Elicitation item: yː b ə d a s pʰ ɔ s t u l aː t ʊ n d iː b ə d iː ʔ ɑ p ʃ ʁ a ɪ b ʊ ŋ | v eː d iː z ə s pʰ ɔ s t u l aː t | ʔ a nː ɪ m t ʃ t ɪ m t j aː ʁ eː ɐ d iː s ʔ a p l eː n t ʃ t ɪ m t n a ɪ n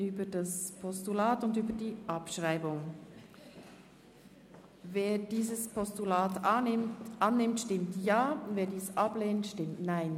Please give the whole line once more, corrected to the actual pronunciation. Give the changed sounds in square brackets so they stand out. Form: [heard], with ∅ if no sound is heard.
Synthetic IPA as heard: yː b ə d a s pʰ ɔ s t u l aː t ʊ n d [yː] b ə d iː ʔ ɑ p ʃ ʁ a ɪ b ʊ ŋ | v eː d iː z ə s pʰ ɔ s t u l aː t | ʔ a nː ɪ m t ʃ t ɪ m t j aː [v] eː ɐ d iː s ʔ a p l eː n t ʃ t ɪ m t n a ɪ n